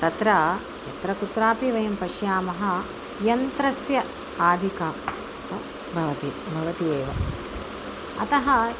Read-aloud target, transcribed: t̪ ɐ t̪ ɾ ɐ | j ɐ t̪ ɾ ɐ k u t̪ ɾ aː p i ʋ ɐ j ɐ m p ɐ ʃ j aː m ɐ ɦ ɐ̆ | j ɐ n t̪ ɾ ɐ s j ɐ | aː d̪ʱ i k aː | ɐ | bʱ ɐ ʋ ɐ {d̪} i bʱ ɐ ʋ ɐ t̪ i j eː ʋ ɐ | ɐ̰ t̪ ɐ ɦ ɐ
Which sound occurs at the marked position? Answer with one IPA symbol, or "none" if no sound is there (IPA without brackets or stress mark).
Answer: t̪